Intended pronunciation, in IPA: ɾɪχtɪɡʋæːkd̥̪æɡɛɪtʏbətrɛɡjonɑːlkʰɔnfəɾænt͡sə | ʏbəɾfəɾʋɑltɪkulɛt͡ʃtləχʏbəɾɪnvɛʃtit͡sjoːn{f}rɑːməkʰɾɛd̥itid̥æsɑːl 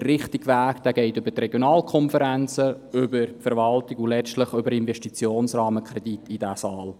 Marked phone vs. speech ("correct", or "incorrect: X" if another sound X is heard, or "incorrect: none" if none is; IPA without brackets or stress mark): incorrect: s